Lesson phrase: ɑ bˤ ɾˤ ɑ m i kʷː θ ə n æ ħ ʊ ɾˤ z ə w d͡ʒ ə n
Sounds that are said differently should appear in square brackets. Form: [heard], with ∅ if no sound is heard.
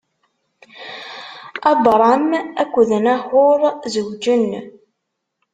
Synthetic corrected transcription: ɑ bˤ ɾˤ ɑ m [æ] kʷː [ð] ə n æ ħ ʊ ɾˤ z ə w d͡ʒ ə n

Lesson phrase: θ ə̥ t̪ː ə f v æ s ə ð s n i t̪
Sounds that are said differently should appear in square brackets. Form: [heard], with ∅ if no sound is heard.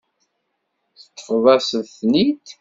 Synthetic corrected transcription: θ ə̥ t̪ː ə f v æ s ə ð [θ] n i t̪

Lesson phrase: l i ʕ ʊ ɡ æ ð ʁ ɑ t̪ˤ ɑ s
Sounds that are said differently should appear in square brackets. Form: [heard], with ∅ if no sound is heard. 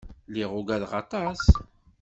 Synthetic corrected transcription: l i [ʁ] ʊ ɡ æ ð ʁ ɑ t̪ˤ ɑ s

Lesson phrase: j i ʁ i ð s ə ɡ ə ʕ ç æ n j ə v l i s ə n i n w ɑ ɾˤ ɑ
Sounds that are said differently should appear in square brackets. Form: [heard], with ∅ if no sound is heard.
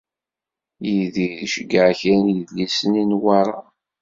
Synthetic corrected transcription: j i [ð] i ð [ʃ] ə ɡ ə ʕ ç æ n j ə [ð] l i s ə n i n w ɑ ɾˤ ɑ

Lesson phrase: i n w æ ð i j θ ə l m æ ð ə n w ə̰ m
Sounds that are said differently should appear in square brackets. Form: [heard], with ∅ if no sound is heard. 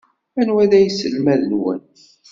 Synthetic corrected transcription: [æ] n w æ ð [æ] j [s] ə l m æ ð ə n w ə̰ [n]

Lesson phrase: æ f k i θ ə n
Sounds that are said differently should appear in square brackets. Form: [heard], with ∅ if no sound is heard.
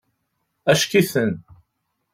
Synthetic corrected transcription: æ [ʃ] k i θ ə n

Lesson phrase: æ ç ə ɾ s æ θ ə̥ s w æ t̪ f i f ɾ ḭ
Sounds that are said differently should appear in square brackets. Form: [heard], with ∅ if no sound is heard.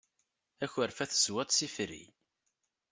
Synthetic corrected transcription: æ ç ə ɾ [f] æ θ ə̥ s w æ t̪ [s] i f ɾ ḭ

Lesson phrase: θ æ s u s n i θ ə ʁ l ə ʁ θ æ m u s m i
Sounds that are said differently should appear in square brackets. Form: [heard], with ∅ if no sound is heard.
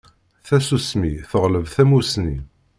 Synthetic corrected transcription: θ æ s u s [m] i θ ə ʁ l ə [v] θ æ m u s [n] i

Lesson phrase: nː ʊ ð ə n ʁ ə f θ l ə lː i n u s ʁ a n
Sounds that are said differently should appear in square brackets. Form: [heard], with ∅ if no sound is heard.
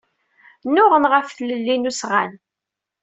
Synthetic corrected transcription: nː ʊ [ʁ] ə n ʁ ə f θ l ə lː i n u s ʁ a n

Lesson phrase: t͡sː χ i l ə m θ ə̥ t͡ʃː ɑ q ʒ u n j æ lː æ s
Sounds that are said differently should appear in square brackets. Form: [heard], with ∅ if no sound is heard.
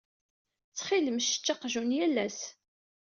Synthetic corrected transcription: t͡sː χ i l ə m [ʃ] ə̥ t͡ʃː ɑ q ʒ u n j æ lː æ s

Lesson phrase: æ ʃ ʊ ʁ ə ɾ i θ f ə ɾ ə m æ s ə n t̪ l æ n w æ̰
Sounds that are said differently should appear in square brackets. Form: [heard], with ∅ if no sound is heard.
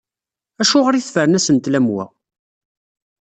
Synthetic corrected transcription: æ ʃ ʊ ʁ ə ɾ i θ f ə ɾ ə [n] æ s ə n t̪ l æ [m] w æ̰

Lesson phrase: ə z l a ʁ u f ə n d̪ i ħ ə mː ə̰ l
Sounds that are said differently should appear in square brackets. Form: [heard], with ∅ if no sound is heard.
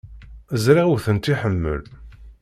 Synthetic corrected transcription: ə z [ɾ] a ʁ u [θ] ə n [t̪] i ħ ə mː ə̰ l

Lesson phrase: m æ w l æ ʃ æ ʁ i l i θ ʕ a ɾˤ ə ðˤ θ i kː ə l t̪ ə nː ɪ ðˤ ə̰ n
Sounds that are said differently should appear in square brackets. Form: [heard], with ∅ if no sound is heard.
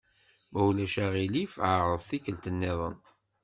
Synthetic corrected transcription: m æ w l æ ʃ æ ʁ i l i [f] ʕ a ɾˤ ə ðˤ θ i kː ə l t̪ ə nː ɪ ðˤ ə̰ n

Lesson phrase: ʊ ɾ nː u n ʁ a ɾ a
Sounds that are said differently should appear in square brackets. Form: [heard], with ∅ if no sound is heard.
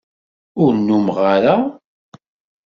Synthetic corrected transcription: ʊ ɾ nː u [m] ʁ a ɾ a

